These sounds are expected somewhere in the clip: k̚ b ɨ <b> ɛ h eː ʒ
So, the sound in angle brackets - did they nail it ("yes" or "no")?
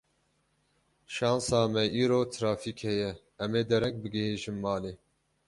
no